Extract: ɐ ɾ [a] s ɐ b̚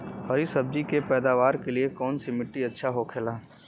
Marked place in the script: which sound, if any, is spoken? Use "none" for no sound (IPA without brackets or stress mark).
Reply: i